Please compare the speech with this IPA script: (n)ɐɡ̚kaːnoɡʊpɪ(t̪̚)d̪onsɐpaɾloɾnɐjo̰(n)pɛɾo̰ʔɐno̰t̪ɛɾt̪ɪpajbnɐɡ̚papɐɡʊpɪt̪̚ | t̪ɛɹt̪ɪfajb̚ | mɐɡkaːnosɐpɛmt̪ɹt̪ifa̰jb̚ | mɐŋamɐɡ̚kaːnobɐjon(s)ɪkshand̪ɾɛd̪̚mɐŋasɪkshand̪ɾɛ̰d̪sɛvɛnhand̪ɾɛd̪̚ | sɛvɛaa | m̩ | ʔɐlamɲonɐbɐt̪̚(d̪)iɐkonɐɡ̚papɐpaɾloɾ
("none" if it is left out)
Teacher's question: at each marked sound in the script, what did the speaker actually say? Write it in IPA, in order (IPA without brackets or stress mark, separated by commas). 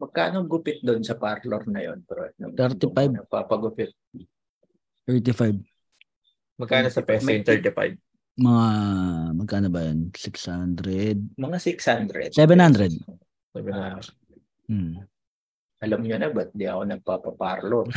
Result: m, t̪̚, n, s, d̪